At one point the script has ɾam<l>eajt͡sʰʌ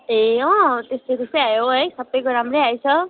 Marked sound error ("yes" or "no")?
yes